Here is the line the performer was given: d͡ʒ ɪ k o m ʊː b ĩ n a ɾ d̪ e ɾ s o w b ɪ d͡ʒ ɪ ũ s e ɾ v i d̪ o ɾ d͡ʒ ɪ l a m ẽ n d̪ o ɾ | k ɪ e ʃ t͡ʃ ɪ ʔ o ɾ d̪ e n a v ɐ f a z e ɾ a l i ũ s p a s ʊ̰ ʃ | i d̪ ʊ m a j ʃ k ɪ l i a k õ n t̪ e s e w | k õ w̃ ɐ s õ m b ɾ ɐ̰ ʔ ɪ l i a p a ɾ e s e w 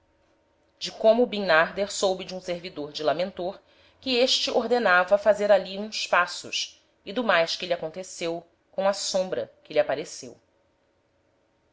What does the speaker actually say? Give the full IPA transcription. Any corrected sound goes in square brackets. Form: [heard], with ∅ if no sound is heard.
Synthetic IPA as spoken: d͡ʒ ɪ k [õ] m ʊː b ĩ n a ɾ d̪ e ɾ s o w b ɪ d͡ʒ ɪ ũ s e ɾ v i d̪ o ɾ d͡ʒ ɪ l a m ẽ n [t̪] o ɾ | k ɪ e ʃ t͡ʃ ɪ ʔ o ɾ d̪ e n a v ɐ f a z e ɾ a l i ũ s p a s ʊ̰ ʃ | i d̪ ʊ m a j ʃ k ɪ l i a k õ n t̪ e s e w | k õ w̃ ɐ s õ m b ɾ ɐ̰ [k] ɪ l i a p a ɾ e s e w